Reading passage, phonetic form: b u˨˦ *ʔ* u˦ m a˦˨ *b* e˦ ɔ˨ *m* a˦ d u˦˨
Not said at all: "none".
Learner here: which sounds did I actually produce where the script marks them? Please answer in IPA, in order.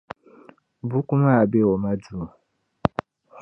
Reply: k, b, m

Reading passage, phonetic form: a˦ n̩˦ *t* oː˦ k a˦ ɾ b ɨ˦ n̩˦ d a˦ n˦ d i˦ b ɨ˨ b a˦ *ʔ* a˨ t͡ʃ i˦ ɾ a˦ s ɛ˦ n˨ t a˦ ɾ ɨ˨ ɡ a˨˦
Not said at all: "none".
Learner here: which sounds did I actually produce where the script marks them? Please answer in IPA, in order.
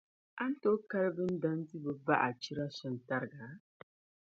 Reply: t, ʔ

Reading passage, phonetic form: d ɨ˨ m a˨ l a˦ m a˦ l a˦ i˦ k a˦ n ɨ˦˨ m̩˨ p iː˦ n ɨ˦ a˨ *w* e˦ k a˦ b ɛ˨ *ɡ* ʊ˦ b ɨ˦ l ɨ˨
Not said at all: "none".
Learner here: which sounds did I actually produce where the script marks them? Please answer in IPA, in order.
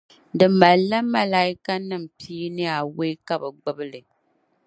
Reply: w, ɡ͡b

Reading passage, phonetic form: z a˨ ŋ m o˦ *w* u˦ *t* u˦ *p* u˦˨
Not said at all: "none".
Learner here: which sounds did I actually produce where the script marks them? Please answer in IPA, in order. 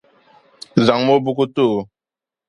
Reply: b, k, t

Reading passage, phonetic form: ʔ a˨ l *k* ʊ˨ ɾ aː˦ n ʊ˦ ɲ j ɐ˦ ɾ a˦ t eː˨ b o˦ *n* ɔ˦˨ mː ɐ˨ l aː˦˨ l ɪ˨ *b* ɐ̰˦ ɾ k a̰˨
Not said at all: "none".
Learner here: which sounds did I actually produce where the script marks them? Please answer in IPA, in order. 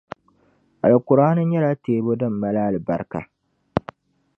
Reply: k, d, b

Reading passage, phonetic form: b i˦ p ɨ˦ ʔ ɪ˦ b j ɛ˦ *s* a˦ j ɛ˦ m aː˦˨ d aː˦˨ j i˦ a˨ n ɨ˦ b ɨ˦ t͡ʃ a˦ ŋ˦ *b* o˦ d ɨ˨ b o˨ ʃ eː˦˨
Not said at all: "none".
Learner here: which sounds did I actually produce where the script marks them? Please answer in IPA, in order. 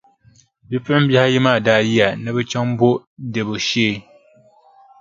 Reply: h, b

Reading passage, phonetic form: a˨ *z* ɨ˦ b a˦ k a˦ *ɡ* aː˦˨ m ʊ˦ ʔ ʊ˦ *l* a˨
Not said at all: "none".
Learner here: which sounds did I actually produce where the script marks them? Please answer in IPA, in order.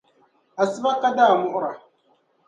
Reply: s, d, ɾ

